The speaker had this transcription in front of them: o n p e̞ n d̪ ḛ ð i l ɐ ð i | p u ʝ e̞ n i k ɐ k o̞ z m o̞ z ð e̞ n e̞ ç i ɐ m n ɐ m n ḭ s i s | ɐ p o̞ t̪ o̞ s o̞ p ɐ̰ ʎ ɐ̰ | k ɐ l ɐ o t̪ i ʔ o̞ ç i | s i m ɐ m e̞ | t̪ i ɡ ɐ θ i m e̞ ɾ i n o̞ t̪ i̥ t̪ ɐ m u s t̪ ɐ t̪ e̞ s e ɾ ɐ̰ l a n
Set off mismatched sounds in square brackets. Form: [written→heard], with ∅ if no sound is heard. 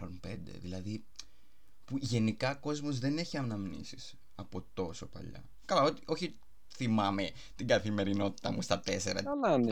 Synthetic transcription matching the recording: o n p e̞ n d̪ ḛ ð i l ɐ ð i | p u ʝ e̞ n i k ɐ k o̞ z m o̞ z ð e̞ n e̞ ç i ɐ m n ɐ m n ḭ s i s | ɐ p o̞ t̪ o̞ s o̞ p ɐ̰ ʎ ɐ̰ | k ɐ l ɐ o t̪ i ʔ o̞ ç i | [s→θ] i m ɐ m e̞ | t̪ i ɡ ɐ θ i m e̞ ɾ i n o̞ t̪ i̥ t̪ ɐ m u s t̪ ɐ t̪ e̞ s e ɾ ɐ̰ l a n